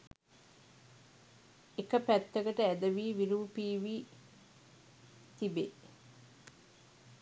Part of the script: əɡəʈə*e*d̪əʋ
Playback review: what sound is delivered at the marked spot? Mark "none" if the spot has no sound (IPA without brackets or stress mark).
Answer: æ